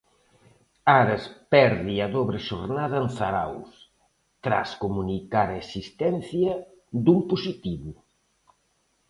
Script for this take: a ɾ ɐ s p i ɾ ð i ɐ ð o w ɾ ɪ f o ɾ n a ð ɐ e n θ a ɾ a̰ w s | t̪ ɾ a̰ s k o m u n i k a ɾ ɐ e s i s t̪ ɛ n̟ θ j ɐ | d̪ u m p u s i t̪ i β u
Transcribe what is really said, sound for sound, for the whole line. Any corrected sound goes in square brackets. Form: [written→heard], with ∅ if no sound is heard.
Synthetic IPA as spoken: a ɾ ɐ s p [i→ɛ] ɾ ð i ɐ ð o [w→β] ɾ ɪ [f→ʃ] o ɾ n a ð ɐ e n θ a ɾ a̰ w s | t̪ ɾ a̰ s k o m u n i k a ɾ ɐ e s i s t̪ ɛ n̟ θ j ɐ | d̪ u m p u s i t̪ i β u